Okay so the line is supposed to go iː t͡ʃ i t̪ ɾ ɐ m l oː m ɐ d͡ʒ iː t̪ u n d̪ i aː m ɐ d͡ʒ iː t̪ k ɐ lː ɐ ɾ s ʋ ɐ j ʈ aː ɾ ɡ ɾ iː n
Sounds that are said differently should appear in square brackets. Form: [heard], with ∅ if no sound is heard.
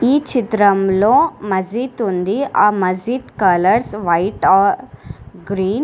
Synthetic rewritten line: iː t͡ʃ i t̪ ɾ ɐ m l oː m ɐ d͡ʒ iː t̪ u n d̪ i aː m ɐ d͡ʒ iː t̪ k ɐ [l] ɐ ɾ s ʋ ɐ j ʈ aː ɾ ɡ ɾ iː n